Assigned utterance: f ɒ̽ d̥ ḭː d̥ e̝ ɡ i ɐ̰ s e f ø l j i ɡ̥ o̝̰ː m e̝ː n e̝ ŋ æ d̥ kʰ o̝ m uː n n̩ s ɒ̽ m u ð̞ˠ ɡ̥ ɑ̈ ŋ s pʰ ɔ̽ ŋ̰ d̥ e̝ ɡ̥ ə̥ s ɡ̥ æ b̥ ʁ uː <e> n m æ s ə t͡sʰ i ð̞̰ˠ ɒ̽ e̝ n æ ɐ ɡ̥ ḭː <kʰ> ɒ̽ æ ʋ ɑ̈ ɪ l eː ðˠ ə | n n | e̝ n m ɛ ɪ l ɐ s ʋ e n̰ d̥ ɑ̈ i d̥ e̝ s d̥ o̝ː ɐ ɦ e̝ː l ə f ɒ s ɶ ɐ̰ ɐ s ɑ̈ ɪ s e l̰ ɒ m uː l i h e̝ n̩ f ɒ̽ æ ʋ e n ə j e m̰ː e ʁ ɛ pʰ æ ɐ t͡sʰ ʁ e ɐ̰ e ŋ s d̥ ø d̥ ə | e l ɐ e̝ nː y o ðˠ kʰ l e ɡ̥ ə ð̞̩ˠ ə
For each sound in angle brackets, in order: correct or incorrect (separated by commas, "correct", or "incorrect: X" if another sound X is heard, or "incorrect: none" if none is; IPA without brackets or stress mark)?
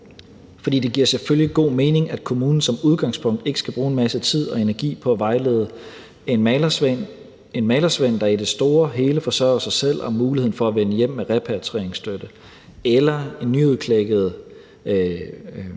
correct, incorrect: pʰ